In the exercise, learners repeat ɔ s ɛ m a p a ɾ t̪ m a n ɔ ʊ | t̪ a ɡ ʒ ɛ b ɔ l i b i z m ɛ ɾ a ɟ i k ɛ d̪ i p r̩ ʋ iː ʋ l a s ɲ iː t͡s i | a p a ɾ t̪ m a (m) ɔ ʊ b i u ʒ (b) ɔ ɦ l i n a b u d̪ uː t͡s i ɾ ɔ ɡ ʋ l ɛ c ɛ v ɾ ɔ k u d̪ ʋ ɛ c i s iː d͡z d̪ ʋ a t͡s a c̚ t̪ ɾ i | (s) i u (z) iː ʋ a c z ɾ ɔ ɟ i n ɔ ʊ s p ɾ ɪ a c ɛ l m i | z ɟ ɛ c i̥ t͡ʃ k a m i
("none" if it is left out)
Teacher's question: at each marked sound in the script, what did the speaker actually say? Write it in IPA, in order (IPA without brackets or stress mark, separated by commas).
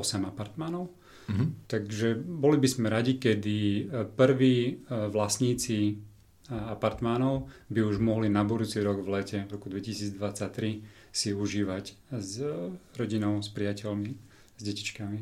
n, m, s, ʒ